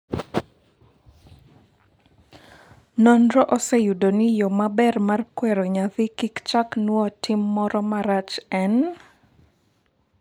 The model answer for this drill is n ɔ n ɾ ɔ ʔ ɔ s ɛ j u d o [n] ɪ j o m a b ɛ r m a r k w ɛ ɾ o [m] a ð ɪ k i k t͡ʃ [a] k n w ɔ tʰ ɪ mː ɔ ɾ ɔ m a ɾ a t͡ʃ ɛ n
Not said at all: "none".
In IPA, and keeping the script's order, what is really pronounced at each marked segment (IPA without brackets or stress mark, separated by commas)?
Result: n, ɲ, a